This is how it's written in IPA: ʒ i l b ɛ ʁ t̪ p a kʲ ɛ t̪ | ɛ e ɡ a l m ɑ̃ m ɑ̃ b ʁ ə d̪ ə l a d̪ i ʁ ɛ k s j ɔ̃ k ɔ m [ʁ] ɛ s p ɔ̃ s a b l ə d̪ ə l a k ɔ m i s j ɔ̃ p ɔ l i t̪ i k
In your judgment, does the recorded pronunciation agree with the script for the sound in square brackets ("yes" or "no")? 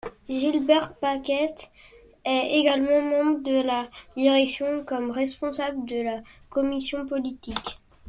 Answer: yes